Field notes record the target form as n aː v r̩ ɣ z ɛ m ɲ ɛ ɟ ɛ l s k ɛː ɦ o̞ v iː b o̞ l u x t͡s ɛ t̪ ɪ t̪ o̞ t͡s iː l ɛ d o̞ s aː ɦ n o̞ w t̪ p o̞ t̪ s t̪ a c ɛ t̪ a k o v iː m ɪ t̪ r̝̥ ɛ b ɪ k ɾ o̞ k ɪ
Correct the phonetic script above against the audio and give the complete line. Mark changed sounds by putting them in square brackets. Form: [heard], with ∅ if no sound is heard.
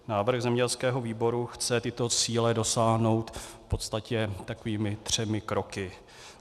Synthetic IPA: n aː v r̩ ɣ z ɛ m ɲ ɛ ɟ ɛ l s k ɛː ɦ o̞ v iː b o̞ [ɾ] u x t͡s ɛ t̪ ɪ t̪ o̞ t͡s iː l ɛ d o̞ s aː ɦ n o̞ w t̪ p o̞ t̪ s t̪ a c ɛ t̪ a k o v iː m ɪ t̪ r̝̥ ɛ [m] ɪ k ɾ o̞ k ɪ